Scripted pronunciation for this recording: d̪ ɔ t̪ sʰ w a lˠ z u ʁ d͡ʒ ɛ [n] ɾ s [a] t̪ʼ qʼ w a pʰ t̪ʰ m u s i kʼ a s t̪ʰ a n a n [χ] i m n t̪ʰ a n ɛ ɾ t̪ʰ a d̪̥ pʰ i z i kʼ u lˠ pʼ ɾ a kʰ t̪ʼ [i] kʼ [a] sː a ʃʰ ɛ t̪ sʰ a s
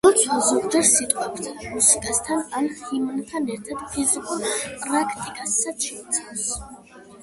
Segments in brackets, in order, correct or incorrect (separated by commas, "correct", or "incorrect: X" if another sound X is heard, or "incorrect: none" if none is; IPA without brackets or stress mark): incorrect: none, incorrect: i, correct, correct, correct